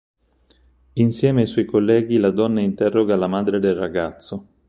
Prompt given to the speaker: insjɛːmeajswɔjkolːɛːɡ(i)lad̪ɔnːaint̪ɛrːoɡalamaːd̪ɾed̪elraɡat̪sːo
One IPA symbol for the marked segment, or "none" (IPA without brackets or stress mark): i